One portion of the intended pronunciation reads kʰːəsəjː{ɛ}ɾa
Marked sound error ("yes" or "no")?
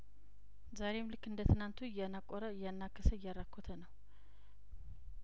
yes